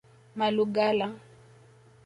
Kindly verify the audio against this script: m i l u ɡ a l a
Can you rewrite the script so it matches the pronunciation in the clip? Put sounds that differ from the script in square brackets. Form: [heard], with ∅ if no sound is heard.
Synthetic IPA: m [a] l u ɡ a l a